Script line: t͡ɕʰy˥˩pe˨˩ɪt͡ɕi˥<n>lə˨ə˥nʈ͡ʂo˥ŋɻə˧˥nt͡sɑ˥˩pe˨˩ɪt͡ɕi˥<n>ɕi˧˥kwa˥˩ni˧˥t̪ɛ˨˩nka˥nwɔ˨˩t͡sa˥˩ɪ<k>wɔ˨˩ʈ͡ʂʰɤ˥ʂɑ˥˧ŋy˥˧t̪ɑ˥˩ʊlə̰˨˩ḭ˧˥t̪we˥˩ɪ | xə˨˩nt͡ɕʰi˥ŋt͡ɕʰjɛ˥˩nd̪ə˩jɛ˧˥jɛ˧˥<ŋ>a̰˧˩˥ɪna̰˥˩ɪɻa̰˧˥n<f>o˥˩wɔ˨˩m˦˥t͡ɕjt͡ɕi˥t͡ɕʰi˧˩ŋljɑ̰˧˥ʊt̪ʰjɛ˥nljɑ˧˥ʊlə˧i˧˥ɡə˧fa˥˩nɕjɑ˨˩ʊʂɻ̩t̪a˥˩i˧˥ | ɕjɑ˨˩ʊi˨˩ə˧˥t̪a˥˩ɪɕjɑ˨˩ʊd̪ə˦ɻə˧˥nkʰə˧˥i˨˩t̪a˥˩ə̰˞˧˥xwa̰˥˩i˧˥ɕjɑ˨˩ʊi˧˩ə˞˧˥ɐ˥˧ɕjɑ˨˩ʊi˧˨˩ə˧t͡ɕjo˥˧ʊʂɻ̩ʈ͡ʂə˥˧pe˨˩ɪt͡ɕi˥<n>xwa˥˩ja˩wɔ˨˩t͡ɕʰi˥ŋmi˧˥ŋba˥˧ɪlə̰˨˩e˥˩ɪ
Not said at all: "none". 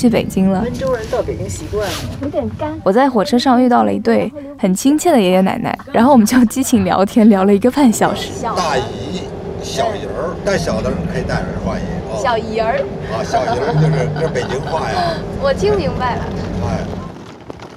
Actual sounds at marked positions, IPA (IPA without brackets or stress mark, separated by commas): ŋ, ŋ, x, n, x, ŋ